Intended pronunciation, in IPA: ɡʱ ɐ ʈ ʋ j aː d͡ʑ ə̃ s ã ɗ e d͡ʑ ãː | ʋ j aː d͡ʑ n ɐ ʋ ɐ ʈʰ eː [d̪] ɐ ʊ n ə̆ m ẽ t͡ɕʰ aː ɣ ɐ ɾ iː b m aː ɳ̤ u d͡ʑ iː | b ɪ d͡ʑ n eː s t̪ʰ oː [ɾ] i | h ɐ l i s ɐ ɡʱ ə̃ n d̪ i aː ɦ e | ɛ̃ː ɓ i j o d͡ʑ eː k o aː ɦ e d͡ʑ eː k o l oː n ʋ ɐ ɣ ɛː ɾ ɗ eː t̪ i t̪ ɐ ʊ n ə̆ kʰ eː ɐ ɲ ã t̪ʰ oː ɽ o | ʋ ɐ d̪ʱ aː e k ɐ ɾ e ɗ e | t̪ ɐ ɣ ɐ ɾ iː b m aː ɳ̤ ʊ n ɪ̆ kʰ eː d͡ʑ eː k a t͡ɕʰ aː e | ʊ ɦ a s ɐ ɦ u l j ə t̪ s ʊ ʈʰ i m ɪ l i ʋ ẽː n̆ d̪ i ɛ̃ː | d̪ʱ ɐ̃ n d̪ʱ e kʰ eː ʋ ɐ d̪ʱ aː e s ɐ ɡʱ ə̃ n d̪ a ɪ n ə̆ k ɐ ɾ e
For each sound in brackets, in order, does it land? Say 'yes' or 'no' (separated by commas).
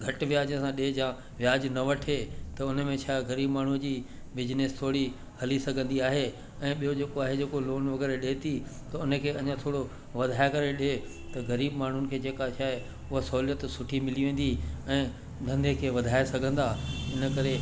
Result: no, no